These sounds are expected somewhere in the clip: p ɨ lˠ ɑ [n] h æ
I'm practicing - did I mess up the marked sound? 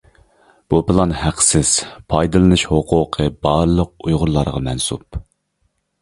no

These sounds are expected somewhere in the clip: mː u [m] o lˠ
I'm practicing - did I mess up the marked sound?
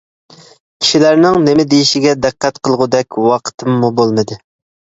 yes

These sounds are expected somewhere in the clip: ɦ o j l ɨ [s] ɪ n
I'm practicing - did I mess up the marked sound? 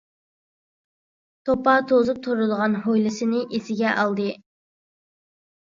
no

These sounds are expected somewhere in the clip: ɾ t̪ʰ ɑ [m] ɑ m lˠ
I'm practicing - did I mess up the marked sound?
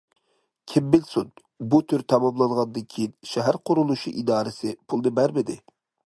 no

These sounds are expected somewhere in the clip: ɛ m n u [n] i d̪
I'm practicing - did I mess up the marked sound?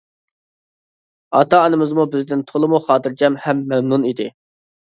no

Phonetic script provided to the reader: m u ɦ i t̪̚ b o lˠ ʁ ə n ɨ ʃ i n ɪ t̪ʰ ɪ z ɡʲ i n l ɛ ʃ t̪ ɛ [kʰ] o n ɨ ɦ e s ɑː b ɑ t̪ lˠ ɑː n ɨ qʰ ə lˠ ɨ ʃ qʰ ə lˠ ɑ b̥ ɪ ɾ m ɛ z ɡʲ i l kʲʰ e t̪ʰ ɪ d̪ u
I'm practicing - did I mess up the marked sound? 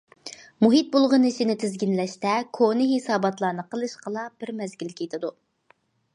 no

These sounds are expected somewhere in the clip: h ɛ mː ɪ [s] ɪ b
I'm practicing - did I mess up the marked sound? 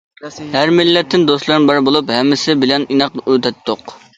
no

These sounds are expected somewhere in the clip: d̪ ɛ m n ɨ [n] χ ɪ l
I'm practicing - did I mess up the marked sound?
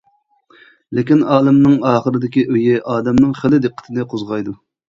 yes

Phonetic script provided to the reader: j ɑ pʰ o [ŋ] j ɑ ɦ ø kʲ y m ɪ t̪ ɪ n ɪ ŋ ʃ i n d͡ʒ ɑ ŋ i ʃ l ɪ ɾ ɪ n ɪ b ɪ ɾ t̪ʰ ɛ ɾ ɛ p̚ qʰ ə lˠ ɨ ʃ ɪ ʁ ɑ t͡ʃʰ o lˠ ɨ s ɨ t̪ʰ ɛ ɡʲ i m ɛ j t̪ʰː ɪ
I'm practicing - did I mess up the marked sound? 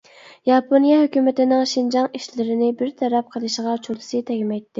yes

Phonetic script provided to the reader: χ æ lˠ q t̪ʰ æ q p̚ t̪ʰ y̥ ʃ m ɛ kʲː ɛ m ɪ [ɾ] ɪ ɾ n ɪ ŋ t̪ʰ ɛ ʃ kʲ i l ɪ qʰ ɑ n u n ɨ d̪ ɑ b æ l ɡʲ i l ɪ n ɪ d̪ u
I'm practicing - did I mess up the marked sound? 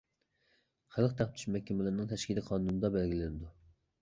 yes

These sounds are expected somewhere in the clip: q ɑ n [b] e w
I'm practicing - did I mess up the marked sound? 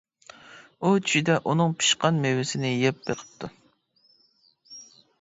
yes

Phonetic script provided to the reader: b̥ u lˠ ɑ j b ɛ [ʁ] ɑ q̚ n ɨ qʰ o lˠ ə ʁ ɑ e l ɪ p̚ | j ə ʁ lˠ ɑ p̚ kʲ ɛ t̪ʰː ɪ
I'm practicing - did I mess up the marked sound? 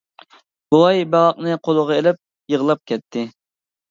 no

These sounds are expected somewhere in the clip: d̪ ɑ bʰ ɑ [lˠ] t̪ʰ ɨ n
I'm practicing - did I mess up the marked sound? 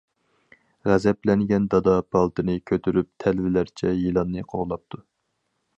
no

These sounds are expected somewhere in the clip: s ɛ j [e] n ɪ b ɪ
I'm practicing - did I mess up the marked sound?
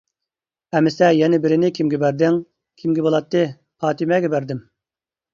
yes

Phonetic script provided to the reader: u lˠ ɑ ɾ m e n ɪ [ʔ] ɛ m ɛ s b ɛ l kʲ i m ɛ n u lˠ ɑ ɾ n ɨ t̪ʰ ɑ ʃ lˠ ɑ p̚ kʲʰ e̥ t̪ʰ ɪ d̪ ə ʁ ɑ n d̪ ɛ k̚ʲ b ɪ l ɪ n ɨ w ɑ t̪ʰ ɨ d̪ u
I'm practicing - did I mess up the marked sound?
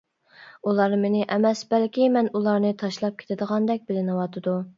no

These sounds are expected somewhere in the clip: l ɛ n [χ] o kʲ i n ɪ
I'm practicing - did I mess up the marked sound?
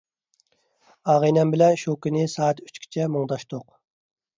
yes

